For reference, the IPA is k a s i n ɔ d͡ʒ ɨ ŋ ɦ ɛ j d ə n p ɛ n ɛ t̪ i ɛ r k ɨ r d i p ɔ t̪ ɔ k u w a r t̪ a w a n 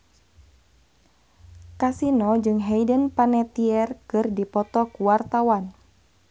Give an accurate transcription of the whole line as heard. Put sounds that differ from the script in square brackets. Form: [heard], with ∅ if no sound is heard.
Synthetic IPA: k a s i n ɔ d͡ʒ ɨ ŋ ɦ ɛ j d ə n p [a] n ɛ t̪ i ɛ r k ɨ r d i p ɔ t̪ ɔ k u w a r t̪ a w a n